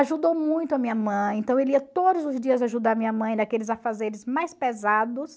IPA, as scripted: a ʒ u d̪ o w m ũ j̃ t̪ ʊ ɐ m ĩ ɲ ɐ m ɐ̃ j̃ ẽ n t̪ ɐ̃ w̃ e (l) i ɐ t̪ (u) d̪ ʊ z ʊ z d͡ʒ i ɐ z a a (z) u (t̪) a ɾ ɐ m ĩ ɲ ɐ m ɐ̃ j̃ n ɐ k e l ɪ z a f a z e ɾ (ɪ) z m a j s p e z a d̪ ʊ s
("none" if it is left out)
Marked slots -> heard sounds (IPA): l, o, ʒ, d̪, ɪ

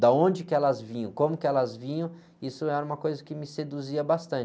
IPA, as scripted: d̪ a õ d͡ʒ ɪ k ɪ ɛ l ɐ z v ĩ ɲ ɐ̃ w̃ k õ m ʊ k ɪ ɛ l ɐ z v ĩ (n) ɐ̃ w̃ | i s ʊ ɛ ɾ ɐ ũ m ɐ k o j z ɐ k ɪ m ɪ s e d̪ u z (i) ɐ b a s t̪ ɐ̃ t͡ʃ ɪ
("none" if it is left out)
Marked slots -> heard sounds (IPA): ɲ, i

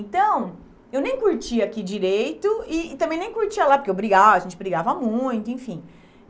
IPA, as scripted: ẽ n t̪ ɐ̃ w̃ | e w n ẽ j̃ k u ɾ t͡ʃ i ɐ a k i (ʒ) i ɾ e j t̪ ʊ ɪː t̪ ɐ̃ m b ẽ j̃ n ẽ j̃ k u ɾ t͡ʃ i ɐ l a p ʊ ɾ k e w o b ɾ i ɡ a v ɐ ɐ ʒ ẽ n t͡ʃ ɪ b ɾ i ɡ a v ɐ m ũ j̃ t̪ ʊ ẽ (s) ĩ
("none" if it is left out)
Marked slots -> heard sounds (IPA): d͡ʒ, f

